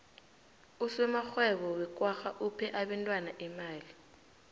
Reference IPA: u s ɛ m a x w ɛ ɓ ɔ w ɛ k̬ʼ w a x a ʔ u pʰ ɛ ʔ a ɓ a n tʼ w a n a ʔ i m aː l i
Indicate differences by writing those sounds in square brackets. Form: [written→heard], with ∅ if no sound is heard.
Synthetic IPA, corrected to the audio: u s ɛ m a x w ɛ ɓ ɔ w ɛ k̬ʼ w a x a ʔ u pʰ ɛ ʔ a ɓ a n tʼ w a n a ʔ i m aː l i